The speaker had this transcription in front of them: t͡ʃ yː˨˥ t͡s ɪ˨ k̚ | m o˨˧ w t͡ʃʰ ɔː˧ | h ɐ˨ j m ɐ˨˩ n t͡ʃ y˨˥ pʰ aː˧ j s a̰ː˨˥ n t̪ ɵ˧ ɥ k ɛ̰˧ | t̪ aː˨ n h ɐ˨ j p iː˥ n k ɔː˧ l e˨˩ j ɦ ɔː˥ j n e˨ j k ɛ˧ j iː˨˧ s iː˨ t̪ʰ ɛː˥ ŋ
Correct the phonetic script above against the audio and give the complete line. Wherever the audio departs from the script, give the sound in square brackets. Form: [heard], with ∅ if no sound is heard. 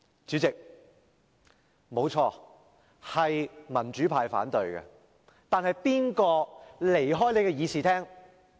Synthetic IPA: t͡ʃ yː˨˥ t͡s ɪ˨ k̚ | m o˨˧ w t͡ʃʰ ɔː˧ | h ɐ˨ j m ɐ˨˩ n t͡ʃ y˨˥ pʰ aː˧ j [f] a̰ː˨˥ n t̪ ɵ˧ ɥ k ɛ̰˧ | t̪ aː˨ n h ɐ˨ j p iː˥ n k ɔː˧ l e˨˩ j ɦ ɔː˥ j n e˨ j k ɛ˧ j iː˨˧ s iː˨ t̪ʰ ɛː˥ ŋ